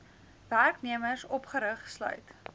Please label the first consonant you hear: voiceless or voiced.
voiced